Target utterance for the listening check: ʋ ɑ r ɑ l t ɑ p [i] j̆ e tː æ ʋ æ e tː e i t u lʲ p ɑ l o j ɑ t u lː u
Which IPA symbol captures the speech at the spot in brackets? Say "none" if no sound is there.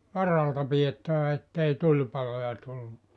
i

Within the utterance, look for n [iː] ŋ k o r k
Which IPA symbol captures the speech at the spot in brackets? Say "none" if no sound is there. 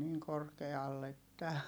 iː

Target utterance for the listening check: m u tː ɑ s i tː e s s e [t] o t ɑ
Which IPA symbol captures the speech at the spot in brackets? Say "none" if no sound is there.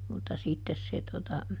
t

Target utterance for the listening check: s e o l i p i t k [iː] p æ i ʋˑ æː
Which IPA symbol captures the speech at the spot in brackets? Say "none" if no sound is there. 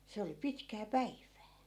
æː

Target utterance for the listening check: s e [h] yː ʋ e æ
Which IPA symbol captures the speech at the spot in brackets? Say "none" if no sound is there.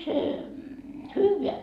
h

